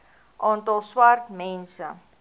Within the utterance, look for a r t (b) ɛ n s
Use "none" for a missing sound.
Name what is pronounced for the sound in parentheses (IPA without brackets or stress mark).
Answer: m